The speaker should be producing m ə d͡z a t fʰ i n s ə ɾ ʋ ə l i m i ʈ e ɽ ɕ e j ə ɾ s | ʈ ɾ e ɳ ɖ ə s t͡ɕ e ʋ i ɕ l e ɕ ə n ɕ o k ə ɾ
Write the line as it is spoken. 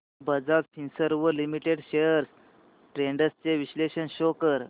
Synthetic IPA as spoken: b ə d͡z a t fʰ i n s ə ɾ ʋ ə l i m i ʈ e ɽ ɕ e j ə ɾ s | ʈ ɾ e ɳ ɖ ə s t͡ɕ e ʋ i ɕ l e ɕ ə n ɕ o k ə ɾ

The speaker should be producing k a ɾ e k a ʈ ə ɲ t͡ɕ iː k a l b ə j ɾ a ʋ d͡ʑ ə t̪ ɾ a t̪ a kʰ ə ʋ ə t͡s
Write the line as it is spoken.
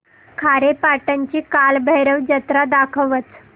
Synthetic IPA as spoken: kʰ a ɾ e p a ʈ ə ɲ t͡ɕ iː k a l b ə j ɾ ə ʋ d͡ʑ ə t̪ ɾ a d̪ a kʰ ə ʋ ə t͡s

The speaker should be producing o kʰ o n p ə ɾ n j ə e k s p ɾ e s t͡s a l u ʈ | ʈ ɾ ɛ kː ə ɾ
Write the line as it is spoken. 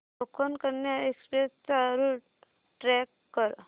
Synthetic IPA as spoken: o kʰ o n k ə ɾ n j a e k s p ɾ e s t͡s a ɾ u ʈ | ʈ ɾ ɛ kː ə ɾ

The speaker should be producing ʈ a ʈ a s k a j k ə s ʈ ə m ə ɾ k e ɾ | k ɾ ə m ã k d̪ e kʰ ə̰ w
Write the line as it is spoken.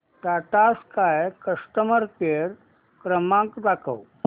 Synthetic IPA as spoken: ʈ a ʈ a s k a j k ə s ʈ ə m ə ɾ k e ɾ | k ɾ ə m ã k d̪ a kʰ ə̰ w

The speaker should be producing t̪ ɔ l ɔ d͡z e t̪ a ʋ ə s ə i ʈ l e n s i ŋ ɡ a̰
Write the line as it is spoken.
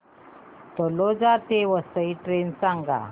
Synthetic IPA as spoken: t̪ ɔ l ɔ d͡z a t̪ e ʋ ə s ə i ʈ ɾ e n s a ŋ ɡ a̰

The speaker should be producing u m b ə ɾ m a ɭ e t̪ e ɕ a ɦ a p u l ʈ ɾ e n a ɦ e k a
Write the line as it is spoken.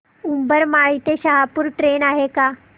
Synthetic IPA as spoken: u m b ə ɾ m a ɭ i t̪ e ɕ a ɦ a p u ɾ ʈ ɾ e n a ɦ e k a

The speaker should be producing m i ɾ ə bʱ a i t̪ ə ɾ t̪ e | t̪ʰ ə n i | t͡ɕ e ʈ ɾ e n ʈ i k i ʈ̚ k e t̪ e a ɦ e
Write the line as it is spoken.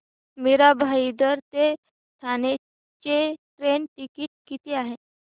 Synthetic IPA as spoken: m i ɾ a bʱ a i d̪ ə ɾ t̪ e | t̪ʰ a n e | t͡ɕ e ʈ ɾ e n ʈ i k i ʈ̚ k i t̪ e a ɦ e

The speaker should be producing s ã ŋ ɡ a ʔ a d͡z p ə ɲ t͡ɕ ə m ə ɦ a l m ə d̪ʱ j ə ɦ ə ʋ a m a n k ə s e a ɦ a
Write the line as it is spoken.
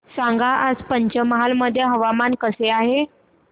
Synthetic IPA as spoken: s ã ŋ ɡ a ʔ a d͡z p ə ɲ t͡ɕ ə m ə ɦ a l m ə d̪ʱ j ə ɦ ə ʋ a m a n k ə s e a ɦ e

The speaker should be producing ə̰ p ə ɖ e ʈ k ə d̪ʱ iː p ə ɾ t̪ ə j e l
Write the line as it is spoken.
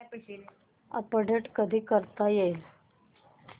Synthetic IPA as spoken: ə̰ p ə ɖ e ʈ k ə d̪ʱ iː k ə ɾ t̪ a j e l

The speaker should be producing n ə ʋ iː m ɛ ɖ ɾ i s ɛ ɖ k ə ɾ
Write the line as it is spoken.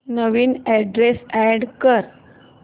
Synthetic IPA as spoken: n ə ʋ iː n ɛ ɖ ɾ e s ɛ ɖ k ə ɾ

